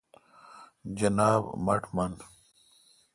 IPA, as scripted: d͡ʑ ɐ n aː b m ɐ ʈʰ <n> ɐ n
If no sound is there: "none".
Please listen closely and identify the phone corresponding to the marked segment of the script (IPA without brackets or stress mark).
m